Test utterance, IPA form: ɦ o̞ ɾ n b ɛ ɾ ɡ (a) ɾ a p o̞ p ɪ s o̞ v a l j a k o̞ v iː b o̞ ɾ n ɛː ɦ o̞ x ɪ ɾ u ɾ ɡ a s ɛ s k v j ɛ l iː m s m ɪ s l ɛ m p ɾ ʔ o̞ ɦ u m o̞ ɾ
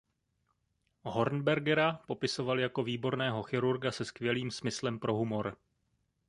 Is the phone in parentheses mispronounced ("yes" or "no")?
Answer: yes